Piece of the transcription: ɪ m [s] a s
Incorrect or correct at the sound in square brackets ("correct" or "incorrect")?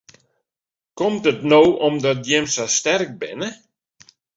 correct